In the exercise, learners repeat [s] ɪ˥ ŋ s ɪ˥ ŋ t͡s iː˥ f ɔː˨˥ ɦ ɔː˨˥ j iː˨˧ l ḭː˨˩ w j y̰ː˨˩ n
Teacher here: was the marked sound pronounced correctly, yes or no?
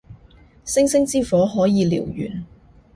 yes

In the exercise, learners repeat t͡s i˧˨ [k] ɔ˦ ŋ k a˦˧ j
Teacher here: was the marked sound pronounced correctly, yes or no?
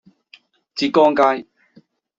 yes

